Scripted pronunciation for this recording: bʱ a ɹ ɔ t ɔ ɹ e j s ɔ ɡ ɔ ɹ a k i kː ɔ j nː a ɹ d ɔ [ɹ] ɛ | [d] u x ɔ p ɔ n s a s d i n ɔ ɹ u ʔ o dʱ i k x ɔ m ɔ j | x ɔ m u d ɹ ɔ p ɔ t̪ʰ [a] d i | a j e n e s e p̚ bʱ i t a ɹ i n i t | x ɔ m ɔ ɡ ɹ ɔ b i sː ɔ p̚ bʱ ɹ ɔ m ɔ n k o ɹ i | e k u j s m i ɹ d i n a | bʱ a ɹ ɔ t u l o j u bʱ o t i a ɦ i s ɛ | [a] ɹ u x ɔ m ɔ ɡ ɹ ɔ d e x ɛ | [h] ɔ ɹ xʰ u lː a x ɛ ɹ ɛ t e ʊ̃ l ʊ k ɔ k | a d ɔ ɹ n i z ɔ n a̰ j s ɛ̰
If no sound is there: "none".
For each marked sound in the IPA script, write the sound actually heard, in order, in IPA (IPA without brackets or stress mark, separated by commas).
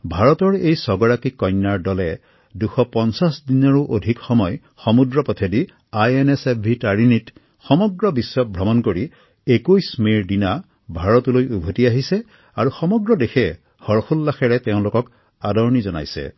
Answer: l, d, e, a, h